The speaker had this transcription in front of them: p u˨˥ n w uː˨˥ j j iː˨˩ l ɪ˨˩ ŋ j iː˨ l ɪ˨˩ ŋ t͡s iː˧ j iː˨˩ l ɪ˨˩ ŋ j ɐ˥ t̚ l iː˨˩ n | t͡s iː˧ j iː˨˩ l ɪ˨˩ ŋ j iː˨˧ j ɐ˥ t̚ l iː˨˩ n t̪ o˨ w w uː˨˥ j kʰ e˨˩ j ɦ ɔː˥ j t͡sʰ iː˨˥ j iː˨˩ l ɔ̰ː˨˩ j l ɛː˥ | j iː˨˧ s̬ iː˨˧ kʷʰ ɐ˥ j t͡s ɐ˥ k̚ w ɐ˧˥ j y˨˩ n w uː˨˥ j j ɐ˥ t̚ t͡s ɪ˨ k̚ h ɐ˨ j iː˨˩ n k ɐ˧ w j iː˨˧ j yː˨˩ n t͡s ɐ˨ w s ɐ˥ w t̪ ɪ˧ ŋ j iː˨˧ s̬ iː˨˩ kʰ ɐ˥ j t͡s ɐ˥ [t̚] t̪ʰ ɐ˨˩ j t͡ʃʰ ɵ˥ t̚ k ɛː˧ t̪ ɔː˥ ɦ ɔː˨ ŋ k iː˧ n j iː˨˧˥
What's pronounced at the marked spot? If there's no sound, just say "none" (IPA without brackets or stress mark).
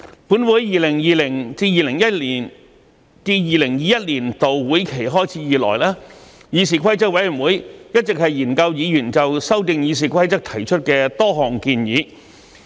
k̚